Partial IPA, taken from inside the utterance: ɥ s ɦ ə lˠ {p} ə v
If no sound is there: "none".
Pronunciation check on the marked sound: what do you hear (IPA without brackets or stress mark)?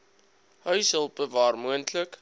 p